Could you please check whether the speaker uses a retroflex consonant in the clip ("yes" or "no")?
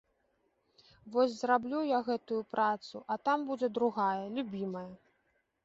no